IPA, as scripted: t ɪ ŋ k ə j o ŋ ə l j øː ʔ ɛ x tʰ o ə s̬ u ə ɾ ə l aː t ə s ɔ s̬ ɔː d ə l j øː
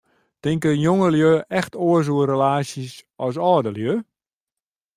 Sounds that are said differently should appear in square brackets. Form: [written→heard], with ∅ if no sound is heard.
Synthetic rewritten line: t ɪ ŋ k ə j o ŋ ə l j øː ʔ ɛ x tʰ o ə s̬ u ə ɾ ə l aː [t→s] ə s ɔ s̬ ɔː d ə l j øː